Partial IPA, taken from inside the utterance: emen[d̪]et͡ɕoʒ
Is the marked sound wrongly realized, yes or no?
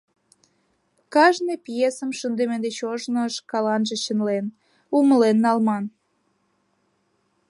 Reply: no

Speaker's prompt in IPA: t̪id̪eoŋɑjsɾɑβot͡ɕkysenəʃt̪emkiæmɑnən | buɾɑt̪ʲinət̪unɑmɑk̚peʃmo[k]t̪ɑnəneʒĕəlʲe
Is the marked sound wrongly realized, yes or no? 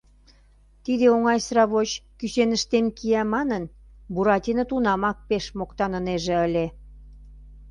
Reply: no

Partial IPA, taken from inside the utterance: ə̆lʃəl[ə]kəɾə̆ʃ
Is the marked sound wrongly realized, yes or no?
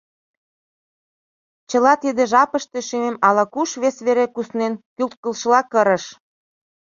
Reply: yes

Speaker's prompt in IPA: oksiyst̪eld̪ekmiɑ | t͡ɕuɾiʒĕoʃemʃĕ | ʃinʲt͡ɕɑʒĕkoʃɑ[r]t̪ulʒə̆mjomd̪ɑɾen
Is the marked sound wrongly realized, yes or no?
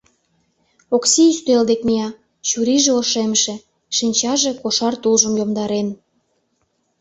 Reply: no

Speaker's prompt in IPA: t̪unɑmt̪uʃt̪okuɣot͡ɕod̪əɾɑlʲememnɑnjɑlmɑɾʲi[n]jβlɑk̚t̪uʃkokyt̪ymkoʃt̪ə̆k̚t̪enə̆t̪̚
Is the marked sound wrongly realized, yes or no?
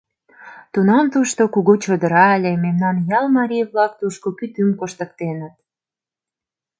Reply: yes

